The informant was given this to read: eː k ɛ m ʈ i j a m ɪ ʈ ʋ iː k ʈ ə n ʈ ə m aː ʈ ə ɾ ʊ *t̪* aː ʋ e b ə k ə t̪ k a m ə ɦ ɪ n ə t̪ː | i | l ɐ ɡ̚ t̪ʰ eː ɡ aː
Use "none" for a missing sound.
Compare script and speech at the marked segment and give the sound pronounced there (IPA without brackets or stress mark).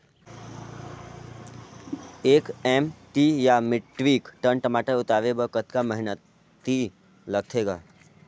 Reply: t̪